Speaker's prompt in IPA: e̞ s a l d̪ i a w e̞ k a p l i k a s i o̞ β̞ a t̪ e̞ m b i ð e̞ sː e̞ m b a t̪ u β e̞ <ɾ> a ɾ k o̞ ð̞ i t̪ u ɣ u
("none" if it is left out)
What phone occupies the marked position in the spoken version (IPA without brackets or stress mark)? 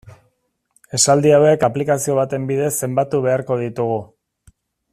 none